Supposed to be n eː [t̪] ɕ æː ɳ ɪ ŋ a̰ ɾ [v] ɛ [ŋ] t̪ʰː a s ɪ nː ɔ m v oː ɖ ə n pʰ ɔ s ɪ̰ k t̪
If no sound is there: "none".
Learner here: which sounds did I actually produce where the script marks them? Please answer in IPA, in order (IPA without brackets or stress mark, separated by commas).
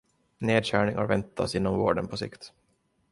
d̪, v, n